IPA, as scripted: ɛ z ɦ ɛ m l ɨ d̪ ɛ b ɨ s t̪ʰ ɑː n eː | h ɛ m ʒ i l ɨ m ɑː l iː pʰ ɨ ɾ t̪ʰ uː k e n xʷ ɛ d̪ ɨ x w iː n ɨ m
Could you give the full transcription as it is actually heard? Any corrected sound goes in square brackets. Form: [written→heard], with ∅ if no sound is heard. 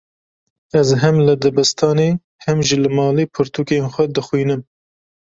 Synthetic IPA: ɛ z ɦ ɛ m l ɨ d̪ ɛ b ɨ s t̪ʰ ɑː n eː | h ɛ m ʒ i l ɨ m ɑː l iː pʰ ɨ ɾ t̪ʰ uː k e n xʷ ɛ d̪ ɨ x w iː n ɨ m